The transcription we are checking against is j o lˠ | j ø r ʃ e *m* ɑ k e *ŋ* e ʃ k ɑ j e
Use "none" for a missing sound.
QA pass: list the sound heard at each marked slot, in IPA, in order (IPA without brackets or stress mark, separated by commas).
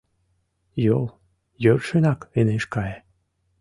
n, n